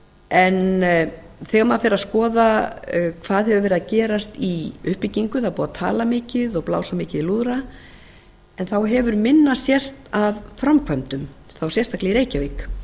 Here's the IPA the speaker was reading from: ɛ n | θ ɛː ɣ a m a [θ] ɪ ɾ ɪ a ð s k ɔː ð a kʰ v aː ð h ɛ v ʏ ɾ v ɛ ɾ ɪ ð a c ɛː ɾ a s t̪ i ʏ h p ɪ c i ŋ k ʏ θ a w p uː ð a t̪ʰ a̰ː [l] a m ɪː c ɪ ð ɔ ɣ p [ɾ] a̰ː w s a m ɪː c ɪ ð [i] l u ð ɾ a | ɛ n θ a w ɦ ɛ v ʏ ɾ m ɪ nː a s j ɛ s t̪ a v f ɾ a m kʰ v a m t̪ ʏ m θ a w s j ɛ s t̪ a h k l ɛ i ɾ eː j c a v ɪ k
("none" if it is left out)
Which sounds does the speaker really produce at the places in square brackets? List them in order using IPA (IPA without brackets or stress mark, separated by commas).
f, l, l, i